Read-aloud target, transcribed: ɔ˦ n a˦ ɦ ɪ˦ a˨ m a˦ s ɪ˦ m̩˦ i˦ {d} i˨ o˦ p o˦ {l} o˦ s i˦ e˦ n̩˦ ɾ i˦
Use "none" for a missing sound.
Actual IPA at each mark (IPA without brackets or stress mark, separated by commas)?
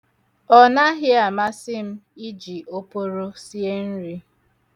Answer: d͡ʒ, ɾ